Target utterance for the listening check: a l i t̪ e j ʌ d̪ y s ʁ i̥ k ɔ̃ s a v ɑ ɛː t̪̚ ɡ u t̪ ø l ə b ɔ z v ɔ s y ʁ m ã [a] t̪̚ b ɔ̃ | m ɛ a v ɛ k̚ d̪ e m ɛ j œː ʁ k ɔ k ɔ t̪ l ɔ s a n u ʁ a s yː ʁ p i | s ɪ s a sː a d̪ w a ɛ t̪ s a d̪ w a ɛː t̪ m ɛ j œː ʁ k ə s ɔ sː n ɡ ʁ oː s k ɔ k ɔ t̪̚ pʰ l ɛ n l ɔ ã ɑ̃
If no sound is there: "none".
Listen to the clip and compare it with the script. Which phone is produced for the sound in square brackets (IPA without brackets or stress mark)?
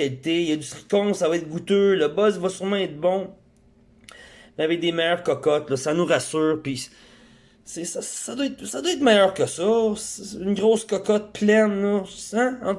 ɛ